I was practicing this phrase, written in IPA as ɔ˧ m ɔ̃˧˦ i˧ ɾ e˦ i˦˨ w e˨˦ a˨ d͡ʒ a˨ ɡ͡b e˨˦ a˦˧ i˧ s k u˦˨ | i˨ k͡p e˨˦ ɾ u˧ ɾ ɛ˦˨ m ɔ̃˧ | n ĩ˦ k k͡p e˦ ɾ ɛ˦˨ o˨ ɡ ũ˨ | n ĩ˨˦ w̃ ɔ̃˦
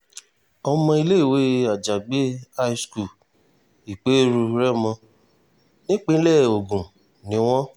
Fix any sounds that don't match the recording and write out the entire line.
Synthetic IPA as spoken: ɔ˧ m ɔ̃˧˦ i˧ l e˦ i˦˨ w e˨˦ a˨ d͡ʒ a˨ ɡ͡b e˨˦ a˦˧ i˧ s k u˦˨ | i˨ k͡p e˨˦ ɾ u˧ ɾ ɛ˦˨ m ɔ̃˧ | n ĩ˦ k͡p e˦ l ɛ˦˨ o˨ ɡ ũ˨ | n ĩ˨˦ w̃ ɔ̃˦